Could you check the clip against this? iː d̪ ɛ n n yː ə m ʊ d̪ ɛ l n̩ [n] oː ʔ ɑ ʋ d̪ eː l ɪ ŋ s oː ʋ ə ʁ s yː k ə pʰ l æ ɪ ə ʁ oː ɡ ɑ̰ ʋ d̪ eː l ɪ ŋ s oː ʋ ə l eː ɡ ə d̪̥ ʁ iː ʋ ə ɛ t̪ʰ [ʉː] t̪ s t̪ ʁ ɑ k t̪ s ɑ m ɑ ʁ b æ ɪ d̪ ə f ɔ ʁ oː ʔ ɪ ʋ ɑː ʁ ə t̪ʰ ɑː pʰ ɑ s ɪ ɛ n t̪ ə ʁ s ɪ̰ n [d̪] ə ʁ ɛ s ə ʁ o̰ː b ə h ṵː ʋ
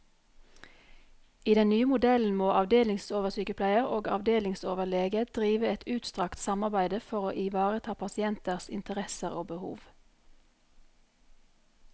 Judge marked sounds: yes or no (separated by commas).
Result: no, yes, no